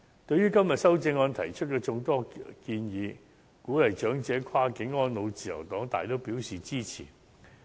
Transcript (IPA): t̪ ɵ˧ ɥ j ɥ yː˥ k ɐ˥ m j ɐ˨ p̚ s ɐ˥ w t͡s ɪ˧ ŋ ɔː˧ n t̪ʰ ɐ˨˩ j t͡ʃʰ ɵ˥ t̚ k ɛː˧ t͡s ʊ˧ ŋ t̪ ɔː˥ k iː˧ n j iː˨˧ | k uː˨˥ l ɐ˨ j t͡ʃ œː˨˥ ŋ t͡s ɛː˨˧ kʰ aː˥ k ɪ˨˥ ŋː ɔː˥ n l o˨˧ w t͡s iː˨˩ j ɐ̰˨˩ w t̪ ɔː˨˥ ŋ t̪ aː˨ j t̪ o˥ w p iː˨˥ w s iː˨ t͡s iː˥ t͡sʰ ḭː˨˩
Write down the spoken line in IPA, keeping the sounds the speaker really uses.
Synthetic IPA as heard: t̪ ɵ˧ ɥ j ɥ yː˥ k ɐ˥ m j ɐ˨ t̚ s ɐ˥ w t͡s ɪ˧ ŋ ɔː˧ n t̪ʰ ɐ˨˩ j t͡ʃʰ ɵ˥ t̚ k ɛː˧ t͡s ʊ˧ ŋ t̪ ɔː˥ k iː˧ n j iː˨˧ | k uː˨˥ l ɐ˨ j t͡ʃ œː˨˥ ŋ t͡s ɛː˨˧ kʰ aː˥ k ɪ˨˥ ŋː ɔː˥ n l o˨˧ w t͡s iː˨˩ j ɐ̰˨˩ w t̪ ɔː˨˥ ŋ t̪ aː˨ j t̪ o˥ w p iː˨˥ w s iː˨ t͡s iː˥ t͡sʰ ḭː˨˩